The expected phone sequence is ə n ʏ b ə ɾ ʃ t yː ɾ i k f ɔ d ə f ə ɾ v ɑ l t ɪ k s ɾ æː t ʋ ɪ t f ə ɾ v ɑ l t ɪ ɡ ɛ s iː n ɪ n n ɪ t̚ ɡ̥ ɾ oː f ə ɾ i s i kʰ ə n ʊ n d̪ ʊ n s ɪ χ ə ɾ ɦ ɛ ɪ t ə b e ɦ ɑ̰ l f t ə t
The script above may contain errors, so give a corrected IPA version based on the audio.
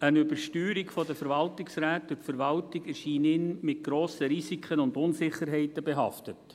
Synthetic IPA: ə n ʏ b ə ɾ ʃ t yː ɾ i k f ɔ d ə f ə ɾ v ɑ l t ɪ k s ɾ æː t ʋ ɪ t f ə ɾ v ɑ l t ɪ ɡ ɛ ʃ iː n ɪ n m ɪ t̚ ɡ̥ ɾ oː s ə ɾ i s i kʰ ə n ʊ n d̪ ʊ n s ɪ χ ə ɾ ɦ ɛ ɪ t ə b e ɦ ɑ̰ f t ə t